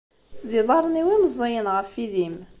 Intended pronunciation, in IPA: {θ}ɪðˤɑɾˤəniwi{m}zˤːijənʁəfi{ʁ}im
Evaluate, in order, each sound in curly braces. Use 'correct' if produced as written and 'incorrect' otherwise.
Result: incorrect, correct, incorrect

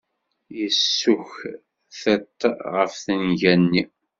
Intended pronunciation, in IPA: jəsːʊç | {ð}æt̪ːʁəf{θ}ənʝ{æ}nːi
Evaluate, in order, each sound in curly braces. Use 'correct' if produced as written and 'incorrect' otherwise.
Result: incorrect, correct, correct

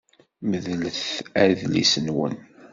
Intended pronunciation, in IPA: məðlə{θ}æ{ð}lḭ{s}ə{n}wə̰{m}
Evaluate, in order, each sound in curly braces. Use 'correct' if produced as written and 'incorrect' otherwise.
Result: correct, correct, correct, correct, incorrect

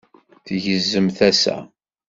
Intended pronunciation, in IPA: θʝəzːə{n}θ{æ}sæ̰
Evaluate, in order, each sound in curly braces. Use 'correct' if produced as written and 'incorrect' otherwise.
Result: incorrect, correct

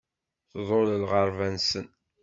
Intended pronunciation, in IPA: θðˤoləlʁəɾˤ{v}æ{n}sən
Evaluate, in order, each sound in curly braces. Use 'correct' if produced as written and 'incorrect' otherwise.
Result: correct, correct

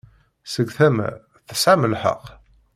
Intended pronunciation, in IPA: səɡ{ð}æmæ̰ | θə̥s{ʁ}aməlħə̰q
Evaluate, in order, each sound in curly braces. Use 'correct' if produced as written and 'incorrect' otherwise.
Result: incorrect, incorrect

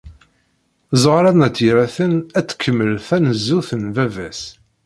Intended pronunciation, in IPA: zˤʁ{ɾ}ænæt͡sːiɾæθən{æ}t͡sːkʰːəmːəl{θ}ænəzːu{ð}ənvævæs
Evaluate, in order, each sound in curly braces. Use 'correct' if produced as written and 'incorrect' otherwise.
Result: correct, correct, correct, incorrect

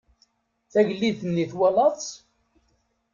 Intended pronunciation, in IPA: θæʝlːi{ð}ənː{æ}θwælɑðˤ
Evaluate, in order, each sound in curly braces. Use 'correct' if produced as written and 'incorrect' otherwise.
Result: incorrect, incorrect

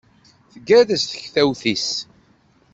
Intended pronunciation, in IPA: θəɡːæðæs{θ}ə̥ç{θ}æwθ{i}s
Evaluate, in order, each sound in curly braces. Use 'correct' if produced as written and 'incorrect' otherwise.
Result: correct, correct, correct

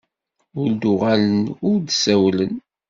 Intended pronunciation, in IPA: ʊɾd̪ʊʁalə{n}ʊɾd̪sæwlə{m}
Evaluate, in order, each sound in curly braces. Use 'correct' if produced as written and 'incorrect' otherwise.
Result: correct, incorrect

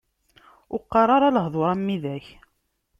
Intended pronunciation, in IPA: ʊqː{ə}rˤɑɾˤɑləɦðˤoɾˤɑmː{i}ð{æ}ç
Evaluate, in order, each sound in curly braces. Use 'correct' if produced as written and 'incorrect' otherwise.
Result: incorrect, correct, correct

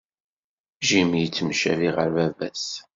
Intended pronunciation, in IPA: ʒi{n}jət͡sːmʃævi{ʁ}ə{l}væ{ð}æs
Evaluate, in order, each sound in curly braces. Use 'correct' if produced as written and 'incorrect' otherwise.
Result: incorrect, correct, incorrect, incorrect

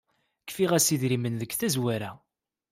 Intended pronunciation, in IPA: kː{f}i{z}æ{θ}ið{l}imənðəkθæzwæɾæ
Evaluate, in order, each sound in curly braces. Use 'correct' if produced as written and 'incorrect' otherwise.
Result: correct, incorrect, incorrect, incorrect

